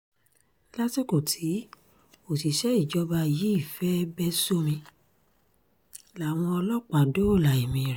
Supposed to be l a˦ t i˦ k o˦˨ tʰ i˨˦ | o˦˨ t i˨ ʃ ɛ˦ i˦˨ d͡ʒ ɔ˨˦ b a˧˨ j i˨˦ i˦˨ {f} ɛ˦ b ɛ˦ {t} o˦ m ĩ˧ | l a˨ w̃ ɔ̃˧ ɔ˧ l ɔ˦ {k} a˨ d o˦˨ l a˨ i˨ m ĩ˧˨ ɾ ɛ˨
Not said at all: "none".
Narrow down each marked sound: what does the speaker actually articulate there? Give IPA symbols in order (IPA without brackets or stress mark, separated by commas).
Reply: f, s, k͡p